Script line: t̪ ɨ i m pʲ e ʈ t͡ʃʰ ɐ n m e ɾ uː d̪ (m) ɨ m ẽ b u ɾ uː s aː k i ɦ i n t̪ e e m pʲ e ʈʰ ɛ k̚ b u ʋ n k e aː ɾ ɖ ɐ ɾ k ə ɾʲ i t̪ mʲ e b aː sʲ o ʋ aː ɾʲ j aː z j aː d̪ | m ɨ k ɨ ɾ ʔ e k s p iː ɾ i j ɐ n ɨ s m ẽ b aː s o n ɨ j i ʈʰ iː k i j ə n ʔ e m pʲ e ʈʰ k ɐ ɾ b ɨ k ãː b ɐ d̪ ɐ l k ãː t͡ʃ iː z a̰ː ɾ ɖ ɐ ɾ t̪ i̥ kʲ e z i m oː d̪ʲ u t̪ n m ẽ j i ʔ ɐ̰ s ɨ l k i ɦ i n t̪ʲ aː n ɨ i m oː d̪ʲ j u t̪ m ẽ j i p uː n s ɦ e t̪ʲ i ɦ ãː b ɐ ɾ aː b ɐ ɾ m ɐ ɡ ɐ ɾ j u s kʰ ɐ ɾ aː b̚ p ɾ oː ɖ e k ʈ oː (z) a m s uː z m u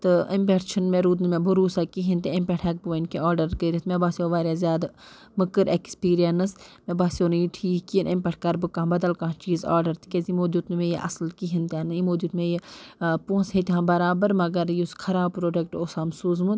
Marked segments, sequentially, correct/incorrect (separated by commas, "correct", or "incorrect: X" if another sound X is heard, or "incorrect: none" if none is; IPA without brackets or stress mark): incorrect: n, incorrect: s